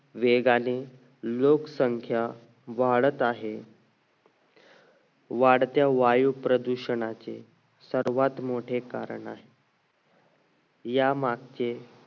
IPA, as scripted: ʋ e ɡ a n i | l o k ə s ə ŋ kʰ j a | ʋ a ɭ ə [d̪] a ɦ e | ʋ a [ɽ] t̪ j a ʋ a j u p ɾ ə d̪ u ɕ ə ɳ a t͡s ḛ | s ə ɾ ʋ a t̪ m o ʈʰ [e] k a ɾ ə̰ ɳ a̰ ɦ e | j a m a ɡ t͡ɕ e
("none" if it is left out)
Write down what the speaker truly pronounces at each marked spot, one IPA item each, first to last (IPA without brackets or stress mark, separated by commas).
t̪, ɽ, e